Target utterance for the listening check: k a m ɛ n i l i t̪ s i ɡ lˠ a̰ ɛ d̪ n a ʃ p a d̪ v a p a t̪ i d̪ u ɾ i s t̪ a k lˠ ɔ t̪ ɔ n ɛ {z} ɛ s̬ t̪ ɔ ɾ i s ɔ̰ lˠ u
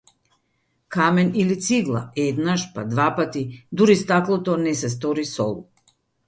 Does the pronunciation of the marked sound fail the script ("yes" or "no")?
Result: yes